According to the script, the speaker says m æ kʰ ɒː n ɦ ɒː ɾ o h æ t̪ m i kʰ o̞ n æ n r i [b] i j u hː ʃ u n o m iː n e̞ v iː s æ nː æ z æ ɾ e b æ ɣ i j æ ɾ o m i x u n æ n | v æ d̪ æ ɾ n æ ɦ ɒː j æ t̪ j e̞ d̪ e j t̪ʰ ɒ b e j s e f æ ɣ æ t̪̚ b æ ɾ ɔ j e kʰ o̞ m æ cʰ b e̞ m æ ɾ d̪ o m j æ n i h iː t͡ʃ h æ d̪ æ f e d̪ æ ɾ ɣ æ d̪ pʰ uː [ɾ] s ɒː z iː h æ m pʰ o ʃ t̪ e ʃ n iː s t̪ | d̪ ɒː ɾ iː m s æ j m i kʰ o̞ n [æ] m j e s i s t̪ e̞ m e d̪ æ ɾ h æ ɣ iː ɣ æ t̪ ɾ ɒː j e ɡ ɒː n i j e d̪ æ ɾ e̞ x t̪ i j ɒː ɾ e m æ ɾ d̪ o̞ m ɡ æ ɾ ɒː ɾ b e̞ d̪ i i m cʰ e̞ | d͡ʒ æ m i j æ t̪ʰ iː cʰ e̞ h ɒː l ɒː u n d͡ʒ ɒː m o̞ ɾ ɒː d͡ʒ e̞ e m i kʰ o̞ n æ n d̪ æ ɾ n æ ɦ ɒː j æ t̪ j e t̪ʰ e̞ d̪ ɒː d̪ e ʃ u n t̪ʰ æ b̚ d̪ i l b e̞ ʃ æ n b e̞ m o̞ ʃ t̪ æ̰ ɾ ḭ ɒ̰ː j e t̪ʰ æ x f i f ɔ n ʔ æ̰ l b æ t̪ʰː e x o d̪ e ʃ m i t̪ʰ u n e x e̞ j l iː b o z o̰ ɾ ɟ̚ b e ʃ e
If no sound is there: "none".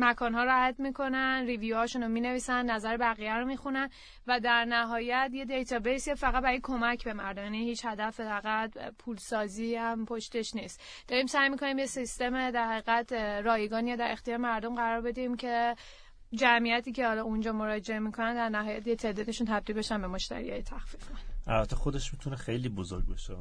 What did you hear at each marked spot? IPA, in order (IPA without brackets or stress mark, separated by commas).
v, l, i